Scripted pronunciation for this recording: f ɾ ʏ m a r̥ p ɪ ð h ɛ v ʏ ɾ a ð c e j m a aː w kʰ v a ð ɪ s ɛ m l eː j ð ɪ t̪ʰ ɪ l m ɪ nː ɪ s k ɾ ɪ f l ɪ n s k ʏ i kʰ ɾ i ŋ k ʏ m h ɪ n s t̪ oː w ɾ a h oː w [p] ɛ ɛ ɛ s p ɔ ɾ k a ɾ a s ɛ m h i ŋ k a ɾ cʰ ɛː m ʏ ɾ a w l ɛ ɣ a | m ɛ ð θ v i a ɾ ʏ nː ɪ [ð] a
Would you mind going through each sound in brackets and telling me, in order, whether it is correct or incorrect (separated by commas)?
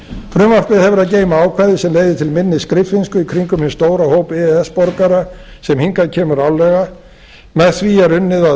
correct, correct